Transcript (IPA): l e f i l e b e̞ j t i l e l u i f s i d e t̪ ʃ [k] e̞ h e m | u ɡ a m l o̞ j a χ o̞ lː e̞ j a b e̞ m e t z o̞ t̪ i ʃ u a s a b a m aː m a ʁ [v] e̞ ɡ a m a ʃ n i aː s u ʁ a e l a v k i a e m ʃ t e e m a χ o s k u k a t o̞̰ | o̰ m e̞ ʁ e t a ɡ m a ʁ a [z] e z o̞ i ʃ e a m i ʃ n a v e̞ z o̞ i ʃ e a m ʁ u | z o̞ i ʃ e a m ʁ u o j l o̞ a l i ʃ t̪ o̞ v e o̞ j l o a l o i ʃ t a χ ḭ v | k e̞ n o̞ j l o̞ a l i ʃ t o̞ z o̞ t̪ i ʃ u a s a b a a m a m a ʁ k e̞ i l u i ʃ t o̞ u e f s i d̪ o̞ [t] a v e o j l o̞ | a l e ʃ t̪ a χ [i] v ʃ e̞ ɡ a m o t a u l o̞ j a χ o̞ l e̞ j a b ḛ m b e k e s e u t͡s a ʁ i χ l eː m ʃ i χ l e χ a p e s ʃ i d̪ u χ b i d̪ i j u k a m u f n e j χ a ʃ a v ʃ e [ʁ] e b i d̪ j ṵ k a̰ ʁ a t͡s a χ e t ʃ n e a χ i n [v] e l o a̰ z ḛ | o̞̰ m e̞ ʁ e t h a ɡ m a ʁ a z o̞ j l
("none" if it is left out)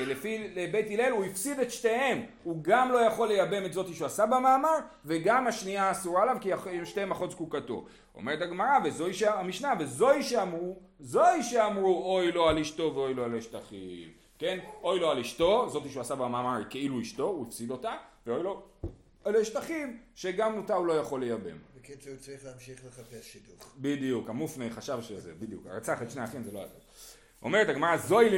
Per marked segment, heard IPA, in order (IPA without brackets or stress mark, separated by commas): t, v, v, t, i, z, z